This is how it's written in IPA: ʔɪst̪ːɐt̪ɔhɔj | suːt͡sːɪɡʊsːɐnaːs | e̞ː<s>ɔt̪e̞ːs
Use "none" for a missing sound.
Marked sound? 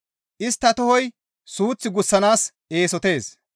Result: s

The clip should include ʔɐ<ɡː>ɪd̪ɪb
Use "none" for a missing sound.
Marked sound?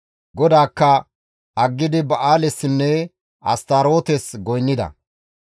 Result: ɡː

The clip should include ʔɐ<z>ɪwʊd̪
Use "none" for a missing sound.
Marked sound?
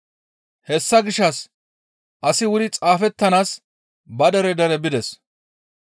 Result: s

